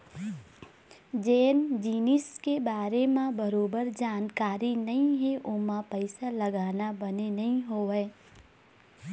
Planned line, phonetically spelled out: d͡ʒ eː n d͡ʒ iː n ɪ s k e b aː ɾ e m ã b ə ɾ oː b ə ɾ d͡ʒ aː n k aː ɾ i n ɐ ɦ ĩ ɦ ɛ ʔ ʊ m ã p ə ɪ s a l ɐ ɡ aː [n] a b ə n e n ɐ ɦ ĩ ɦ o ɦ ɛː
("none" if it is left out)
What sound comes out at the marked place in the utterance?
n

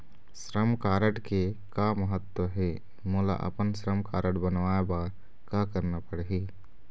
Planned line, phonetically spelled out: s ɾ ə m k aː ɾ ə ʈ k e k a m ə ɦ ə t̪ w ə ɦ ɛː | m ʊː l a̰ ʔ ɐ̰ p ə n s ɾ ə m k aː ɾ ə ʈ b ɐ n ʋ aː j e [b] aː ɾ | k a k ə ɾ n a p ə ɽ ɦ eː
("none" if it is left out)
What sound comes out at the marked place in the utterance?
b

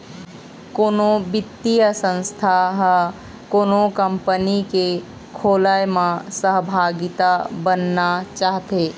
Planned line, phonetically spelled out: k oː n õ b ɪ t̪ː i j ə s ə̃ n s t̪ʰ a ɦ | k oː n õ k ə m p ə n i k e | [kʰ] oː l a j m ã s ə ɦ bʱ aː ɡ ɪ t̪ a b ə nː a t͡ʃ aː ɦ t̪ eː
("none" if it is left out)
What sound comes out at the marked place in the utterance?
kʰ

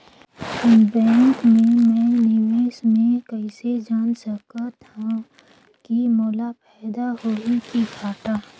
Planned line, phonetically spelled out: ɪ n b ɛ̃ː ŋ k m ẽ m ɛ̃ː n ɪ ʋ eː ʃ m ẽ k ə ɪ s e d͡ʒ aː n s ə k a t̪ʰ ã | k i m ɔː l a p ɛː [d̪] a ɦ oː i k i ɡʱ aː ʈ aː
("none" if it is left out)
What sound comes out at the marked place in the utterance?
d̪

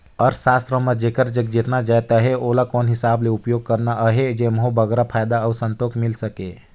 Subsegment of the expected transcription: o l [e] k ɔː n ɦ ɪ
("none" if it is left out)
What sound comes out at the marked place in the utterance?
a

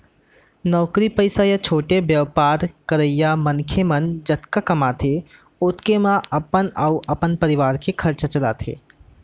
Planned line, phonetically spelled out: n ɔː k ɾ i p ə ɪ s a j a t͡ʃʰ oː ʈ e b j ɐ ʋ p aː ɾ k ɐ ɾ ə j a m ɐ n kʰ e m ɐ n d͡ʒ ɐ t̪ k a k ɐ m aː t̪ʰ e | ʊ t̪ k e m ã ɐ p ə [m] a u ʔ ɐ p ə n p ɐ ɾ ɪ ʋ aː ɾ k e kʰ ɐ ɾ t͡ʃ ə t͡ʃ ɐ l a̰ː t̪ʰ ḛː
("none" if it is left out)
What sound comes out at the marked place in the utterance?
n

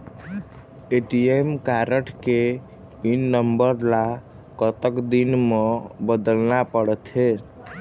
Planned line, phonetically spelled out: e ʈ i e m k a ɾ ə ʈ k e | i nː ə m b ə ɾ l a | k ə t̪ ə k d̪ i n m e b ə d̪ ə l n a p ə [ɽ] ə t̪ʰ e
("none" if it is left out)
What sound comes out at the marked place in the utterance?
ɽ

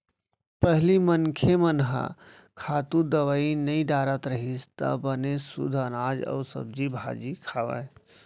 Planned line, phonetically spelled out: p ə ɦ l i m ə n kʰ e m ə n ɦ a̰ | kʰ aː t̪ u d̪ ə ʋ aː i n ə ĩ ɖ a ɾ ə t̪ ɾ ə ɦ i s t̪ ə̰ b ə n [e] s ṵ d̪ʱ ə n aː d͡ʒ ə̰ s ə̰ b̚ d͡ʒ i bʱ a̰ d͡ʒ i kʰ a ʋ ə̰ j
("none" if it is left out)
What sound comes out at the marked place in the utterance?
e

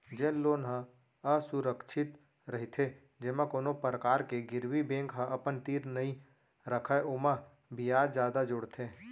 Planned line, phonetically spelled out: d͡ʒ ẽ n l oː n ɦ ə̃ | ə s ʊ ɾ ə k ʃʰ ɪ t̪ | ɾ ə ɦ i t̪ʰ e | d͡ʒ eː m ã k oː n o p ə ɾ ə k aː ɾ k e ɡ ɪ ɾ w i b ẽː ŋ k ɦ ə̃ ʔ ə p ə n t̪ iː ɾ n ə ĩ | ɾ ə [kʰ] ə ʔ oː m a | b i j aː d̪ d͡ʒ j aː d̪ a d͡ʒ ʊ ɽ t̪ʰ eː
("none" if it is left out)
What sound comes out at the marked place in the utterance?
kʰ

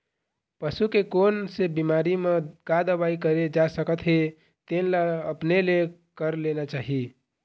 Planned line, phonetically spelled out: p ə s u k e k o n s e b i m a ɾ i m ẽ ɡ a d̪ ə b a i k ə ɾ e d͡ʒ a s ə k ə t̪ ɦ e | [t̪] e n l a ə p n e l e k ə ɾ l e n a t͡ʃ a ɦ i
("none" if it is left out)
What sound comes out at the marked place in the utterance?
t̪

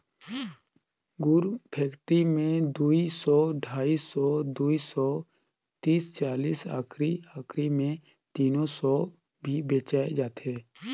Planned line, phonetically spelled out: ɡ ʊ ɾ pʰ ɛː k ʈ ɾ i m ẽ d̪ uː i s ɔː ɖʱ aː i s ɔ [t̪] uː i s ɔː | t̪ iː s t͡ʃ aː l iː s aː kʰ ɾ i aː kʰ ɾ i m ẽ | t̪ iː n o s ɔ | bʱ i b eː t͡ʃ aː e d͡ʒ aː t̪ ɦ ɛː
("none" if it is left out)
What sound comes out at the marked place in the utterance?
d̪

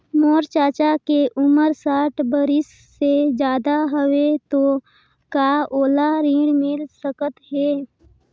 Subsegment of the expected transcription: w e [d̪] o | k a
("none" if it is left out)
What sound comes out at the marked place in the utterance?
t̪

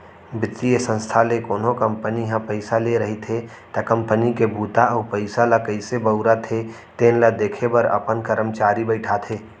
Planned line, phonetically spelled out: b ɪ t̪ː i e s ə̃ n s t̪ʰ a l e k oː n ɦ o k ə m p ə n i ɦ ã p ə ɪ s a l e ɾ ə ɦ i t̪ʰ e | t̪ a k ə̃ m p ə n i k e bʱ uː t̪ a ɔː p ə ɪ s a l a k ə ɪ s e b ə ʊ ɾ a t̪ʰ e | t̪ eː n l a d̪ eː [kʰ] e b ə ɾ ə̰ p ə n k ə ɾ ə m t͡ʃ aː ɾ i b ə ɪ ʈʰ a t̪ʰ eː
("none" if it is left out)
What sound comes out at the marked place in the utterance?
kʰ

